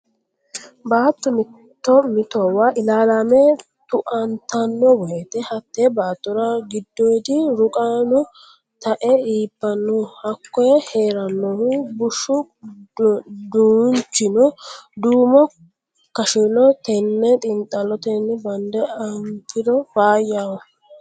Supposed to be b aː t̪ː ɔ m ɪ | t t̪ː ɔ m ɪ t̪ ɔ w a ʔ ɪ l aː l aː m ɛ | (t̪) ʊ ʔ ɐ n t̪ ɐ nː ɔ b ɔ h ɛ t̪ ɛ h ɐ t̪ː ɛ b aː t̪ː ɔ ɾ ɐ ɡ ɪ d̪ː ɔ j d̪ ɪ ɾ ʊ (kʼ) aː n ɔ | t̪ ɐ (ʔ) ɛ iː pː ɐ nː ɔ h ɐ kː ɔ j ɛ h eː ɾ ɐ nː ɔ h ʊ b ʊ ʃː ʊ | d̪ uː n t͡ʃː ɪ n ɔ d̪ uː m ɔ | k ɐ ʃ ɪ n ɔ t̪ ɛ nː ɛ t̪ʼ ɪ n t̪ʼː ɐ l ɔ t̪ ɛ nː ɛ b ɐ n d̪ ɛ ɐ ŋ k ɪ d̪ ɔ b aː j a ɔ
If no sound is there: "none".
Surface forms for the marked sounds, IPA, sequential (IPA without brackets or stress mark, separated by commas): t̪, kʼ, ʔ